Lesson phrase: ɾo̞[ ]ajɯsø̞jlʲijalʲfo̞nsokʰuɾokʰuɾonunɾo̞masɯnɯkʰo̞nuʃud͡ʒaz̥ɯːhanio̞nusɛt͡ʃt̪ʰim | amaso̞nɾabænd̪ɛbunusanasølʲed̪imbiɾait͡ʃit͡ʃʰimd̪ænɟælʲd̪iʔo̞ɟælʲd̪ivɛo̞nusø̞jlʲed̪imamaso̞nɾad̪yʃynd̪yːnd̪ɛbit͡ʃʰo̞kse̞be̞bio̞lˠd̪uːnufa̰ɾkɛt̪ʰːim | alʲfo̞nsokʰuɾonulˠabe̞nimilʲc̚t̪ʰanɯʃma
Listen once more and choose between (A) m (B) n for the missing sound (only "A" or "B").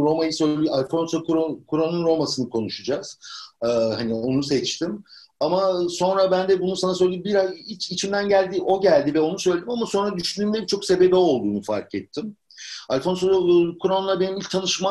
A